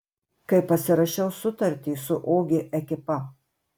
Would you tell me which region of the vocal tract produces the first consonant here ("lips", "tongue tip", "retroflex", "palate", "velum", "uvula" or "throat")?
velum